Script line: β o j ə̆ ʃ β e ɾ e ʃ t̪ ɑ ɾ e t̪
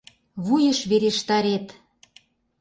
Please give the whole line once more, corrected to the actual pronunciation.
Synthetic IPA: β u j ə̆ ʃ β e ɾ e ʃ t̪ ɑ ɾ e t̪